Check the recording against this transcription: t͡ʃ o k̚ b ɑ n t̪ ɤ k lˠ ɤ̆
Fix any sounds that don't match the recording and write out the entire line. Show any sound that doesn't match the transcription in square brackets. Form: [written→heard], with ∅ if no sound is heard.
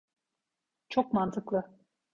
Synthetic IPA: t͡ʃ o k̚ [b→m] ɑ n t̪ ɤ k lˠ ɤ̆